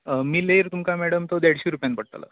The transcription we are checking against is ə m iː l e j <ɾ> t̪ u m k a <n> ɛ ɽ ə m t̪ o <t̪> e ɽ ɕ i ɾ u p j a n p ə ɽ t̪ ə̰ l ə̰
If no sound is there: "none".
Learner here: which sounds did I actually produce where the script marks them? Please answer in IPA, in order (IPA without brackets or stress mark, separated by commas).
ɾ, m, d̪